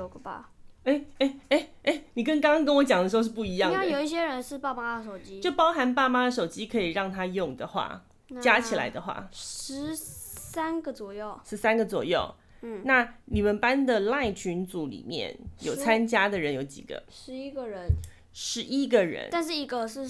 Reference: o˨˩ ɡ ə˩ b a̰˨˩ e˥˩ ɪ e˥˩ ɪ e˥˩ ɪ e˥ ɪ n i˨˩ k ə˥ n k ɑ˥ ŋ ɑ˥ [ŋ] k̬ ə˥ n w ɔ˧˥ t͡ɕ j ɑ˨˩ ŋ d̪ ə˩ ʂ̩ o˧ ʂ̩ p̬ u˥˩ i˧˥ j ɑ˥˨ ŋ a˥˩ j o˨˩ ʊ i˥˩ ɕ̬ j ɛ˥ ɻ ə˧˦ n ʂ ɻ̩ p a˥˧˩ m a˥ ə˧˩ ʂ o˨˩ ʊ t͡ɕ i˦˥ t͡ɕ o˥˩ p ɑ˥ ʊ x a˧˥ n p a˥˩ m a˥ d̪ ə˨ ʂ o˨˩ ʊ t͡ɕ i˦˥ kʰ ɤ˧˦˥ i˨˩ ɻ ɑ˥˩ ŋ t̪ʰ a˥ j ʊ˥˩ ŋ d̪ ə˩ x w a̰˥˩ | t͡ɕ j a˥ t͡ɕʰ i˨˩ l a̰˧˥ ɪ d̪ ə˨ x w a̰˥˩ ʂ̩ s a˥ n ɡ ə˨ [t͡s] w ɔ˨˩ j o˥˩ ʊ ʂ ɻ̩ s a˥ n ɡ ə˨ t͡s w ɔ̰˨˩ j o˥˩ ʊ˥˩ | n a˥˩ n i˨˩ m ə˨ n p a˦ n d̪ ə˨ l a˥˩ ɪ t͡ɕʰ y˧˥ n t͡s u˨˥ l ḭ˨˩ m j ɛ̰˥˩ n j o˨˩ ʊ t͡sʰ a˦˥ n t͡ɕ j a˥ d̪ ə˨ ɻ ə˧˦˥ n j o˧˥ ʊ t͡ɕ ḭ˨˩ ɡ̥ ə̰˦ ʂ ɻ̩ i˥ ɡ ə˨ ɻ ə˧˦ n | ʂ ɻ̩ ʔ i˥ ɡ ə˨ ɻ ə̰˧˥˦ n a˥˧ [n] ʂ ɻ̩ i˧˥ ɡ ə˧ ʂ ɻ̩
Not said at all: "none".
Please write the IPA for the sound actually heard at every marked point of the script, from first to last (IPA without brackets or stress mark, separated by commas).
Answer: ŋ, t͡s, n